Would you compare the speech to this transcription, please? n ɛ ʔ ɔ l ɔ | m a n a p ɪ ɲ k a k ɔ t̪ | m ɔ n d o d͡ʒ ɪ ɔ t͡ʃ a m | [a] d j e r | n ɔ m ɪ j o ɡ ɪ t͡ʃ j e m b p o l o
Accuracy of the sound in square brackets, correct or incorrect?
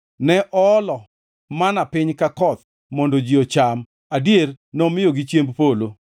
correct